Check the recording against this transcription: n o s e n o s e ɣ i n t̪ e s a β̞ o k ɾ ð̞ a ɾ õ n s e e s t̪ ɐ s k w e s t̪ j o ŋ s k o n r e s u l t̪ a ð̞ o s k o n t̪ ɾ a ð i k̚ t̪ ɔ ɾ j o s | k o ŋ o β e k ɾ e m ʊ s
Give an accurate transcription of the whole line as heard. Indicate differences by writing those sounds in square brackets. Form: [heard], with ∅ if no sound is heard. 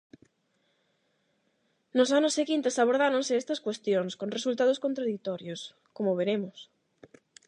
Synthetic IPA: n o s [a] n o s e ɣ i n t̪ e s a β̞ o [∅] ɾ ð̞ a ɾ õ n s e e s t̪ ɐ s k w e s t̪ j o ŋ s k o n r e s u l t̪ a ð̞ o s k o n t̪ ɾ a ð i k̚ t̪ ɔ ɾ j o s | k o [m] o β e [∅] ɾ e m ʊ s